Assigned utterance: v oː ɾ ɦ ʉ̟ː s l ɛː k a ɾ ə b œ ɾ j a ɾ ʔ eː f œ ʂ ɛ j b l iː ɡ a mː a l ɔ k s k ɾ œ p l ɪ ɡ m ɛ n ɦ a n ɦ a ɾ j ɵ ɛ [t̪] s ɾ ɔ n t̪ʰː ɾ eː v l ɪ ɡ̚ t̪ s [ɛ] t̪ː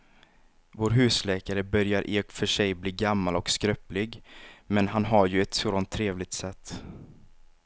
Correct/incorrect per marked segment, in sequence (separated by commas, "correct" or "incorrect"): correct, correct